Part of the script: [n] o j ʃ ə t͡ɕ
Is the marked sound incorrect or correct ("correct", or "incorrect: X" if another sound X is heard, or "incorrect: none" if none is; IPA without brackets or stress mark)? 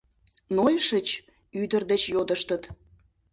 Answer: correct